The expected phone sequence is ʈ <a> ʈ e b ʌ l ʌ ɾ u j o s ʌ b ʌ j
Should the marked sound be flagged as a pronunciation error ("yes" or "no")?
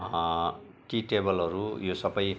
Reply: yes